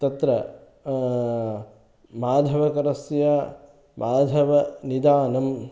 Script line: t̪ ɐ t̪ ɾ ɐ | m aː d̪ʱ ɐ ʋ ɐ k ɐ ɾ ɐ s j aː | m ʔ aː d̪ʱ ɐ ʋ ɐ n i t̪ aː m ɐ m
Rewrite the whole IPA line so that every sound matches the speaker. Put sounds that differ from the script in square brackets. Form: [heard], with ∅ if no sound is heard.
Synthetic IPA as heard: t̪ ɐ t̪ ɾ ɐ | m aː d̪ʱ ɐ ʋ ɐ k ɐ ɾ ɐ s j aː | m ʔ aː d̪ʱ ɐ ʋ ɐ n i [d̪] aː [n] ɐ m